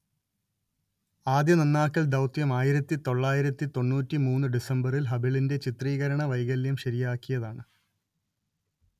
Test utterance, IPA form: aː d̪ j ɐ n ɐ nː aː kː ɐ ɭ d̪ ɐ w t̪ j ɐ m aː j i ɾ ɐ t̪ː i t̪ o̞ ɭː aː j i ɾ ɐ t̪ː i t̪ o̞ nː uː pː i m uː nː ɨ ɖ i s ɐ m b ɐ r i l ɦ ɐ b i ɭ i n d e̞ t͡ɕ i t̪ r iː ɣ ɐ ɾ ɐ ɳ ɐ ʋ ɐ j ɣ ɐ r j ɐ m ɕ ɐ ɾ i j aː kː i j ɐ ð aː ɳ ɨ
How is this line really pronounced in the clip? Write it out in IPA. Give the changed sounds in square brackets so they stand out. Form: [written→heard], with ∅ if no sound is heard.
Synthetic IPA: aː d̪ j ɐ n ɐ nː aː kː ɐ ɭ d̪ ɐ w t̪ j ɐ m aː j i ɾ ɐ t̪ː i t̪ o̞ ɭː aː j i ɾ ɐ t̪ː i t̪ o̞ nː uː [pː→tː] i m uː nː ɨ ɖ i s ɐ m b ɐ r i l ɦ ɐ b i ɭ i n d e̞ t͡ɕ i t̪ r iː ɣ ɐ ɾ ɐ ɳ ɐ ʋ ɐ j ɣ ɐ [r→l] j ɐ m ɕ ɐ ɾ i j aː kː i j ɐ ð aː ɳ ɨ